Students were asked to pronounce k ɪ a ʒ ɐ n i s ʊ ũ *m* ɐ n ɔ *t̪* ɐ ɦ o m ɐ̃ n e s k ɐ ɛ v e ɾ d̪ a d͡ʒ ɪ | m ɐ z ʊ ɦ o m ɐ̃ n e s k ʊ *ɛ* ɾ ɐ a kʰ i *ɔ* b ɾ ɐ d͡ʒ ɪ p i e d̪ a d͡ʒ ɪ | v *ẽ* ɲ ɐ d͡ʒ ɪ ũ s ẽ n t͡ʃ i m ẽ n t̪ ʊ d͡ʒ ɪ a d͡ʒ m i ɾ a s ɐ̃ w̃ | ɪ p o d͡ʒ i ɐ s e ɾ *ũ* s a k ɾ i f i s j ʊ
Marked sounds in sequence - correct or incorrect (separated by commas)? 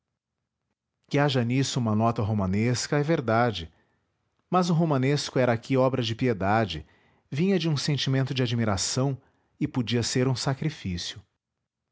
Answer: correct, correct, correct, correct, incorrect, correct